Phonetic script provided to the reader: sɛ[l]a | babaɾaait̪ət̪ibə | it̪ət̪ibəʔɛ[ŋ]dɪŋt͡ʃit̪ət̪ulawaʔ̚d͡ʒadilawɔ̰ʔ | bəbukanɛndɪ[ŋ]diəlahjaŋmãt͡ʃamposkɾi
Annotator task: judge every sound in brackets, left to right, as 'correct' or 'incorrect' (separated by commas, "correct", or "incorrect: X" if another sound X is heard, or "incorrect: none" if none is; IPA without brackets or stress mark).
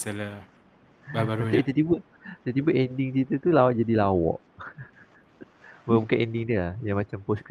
correct, incorrect: n, correct